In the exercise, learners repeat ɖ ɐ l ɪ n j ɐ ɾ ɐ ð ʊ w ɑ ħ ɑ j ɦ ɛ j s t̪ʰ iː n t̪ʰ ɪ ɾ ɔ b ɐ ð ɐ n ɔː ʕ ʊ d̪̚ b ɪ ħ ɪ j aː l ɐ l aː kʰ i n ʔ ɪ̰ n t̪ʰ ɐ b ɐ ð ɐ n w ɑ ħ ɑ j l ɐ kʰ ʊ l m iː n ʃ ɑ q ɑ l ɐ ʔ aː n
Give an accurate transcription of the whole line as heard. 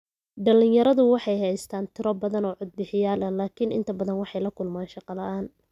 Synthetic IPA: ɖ ɐ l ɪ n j ɐ ɾ ɐ ð ʊ w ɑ ħ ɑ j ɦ ɛ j s t̪ʰ aː n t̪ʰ ɪ ɾ ɔ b ɐ ð ɐ n ɔː ʕ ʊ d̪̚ b ɪ ħ ɪ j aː l ɐ l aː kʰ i n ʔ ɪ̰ n t̪ʰ ɐ b ɐ ð ɐ n w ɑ ħ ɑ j l ɐ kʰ ʊ l m aː n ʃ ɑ q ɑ l ɐ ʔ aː n

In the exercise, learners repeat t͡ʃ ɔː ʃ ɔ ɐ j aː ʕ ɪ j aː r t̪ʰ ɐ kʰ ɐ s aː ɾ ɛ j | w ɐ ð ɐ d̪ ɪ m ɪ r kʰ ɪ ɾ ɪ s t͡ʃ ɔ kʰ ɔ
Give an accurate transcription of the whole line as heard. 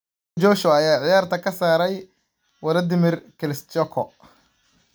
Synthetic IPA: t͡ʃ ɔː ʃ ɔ ɐ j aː ʕ ɪ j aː r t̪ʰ ɐ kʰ ɐ s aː ɾ ɛ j | w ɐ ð ɐ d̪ ɪ m ɪ r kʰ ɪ l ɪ s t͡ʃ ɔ kʰ ɔ

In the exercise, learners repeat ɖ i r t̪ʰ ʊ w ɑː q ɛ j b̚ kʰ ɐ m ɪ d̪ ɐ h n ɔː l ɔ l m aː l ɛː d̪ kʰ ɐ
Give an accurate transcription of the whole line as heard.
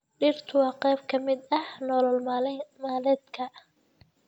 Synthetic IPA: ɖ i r t̪ʰ ʊ w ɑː q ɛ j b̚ kʰ ɐ m ɪ d̪ ɐ h n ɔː l ɔ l m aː l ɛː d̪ kʰ ɐ

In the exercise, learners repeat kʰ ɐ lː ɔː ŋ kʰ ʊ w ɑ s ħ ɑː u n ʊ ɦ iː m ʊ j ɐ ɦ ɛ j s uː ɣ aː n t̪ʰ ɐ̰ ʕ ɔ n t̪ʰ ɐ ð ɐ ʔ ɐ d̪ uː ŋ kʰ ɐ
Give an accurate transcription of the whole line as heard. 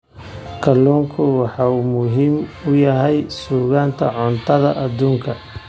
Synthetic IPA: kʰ ɐ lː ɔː ŋ kʰ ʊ w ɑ ħ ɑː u m ʊ ɦ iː m ʊ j ɐ ɦ ɛ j s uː ɣ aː n t̪ʰ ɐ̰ ʕ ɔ n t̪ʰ ɐ ð ɐ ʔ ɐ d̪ uː ŋ kʰ ɐ

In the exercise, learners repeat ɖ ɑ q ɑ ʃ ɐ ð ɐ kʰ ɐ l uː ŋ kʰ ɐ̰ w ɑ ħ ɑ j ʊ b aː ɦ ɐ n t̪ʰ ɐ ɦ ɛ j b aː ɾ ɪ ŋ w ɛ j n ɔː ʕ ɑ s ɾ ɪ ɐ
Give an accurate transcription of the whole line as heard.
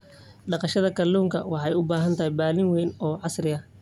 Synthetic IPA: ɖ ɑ q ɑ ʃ ɐ ð ɐ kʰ ɐ l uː ŋ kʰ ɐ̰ w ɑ ħ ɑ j ʊ b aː ɦ ɐ n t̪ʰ ɐ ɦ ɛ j b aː l ɪ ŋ w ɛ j n ɔː ʕ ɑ s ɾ ɪ ɐ

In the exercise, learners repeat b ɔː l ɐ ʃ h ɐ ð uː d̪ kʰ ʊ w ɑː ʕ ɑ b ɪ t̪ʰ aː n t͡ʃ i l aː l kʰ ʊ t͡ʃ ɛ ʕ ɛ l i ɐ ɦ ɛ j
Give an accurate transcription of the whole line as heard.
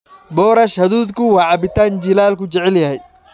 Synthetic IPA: b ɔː ɾ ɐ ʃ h ɐ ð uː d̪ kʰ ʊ w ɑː ʕ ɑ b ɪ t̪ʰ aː n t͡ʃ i l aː l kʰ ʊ t͡ʃ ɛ ʕ ɛ l j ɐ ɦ ɛ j

